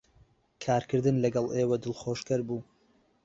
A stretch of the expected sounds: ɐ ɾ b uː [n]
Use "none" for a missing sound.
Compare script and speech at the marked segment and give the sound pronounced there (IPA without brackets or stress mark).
none